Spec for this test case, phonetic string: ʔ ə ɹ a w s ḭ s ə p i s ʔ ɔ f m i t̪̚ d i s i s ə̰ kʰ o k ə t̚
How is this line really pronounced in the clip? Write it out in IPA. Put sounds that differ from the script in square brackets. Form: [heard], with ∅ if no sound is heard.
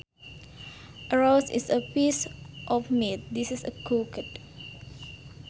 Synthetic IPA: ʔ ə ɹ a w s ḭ s ə p i s ʔ ɔ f m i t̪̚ d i s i s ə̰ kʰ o k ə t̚